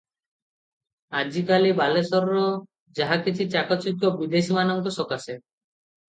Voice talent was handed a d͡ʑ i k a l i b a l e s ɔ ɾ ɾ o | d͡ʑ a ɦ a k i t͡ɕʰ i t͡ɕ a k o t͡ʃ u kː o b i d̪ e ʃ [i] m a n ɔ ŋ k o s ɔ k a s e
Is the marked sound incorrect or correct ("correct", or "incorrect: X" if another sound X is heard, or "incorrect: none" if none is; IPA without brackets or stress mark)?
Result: correct